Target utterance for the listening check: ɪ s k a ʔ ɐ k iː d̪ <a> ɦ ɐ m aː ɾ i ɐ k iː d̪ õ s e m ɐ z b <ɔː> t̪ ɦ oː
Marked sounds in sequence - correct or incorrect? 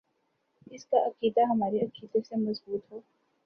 correct, incorrect: uː

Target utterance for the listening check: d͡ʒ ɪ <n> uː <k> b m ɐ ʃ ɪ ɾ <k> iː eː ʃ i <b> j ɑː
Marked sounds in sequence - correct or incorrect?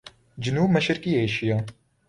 correct, incorrect: none, correct, incorrect: none

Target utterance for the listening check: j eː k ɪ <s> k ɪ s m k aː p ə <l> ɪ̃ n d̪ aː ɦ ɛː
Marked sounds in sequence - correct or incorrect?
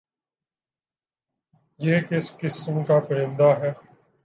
correct, incorrect: ɾ

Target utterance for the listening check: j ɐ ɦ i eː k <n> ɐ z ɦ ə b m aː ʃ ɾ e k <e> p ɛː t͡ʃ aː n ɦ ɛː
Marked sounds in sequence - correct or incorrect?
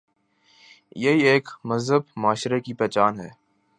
incorrect: m, incorrect: i

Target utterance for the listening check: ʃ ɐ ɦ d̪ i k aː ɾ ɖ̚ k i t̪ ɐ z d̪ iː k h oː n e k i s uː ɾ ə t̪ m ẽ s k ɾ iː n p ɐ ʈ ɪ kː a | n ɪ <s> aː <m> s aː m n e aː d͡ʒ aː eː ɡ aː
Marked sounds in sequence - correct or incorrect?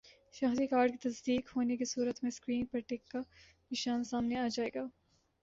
incorrect: ʃ, incorrect: n

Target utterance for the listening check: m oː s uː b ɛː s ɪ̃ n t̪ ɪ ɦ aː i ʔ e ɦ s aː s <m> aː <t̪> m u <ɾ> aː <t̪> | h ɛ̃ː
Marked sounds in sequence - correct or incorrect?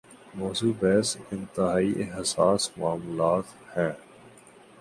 correct, incorrect: none, incorrect: l, correct

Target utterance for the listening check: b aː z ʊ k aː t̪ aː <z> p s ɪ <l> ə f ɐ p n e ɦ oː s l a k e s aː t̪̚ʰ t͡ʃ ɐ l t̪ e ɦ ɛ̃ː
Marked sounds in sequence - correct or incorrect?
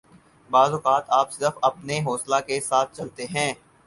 incorrect: none, incorrect: ɾ

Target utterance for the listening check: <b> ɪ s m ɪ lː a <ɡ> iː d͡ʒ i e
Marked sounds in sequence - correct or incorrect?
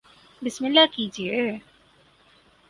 correct, incorrect: k

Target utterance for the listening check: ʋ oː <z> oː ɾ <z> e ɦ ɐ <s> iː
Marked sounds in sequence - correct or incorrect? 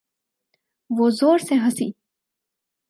correct, incorrect: s, correct

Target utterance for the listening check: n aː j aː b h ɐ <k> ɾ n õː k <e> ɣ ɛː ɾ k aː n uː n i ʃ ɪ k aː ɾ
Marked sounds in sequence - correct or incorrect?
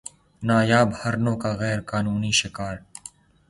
incorrect: none, incorrect: a

